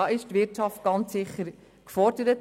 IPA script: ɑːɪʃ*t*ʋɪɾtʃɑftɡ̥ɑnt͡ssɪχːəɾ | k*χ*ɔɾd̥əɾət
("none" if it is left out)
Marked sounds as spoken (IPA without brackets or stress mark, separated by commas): t, f